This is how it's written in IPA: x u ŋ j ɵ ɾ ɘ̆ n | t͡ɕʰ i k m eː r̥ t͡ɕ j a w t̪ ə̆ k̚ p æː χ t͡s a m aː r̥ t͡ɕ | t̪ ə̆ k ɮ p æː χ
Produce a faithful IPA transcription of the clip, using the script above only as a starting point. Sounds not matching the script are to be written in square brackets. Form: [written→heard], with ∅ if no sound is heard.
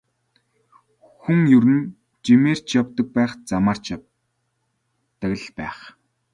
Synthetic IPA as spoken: x u ŋ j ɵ ɾ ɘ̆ n | [t͡ɕʰ→t͡ɕ] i [k→∅] m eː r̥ t͡ɕ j a w t̪ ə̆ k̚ p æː χ t͡s a m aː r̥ t͡ɕ | t̪ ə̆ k ɮ p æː χ